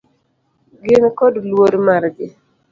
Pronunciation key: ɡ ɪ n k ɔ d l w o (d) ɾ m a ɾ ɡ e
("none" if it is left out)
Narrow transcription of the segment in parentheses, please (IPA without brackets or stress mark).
none